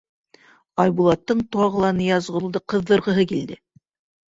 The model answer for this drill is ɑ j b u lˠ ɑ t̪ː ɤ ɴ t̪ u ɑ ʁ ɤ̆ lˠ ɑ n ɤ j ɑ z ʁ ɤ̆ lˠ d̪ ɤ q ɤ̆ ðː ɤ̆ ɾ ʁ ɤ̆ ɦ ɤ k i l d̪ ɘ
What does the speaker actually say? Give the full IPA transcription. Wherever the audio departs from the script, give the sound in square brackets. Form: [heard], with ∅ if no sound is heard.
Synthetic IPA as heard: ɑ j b u lˠ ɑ t̪ː ɤ ɴ t̪ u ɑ ʁ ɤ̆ lˠ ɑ n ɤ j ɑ z ʁ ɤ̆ lˠ d̪ ɤ q ɤ̆ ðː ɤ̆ ɾ ʁ ɤ̆ ɦ ɤ k i l d̪ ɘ